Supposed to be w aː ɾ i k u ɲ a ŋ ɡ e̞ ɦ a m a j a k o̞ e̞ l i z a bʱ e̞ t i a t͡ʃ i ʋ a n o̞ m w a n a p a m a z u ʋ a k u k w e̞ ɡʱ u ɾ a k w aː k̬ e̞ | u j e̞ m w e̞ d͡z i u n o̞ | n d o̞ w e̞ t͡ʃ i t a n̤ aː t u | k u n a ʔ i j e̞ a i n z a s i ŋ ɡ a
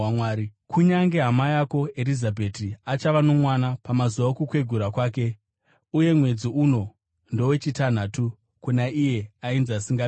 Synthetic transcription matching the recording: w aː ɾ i k u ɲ a ŋ ɡ e̞ ɦ a m a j a k o̞ e̞ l i z a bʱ e̞ t i a t͡ʃ a ʋ a n o̞ m w a n a p a m a z u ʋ a k u k w e̞ ɡʱ u ɾ a k w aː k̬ e̞ | u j e̞ m w e̞ d͡z i u n o̞ | n d o̞ w e̞ t͡ʃ i t a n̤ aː t u | k u n a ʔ i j e̞ a i n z a s i ŋ ɡ a